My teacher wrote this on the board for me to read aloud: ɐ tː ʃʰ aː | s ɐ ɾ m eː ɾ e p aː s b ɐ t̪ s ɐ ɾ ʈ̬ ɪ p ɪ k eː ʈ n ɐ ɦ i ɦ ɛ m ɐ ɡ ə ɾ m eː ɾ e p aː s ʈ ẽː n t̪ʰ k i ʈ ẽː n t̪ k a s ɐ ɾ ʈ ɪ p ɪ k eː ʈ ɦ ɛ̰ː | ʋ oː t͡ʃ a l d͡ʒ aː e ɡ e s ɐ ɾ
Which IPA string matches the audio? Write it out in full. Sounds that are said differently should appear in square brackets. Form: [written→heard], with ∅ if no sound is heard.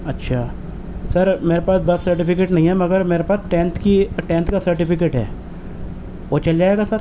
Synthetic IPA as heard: ɐ tː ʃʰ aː | s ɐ ɾ m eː ɾ e p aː s b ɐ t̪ s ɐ ɾ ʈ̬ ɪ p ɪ k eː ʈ n ɐ ɦ [i→ĩ] ɦ ɛ m ɐ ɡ ə ɾ m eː ɾ e p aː s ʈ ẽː n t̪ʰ k i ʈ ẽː n t̪ k a s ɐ ɾ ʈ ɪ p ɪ k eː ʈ ɦ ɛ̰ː | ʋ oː t͡ʃ [a→ɐ] l d͡ʒ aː e ɡ [e→a] s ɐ ɾ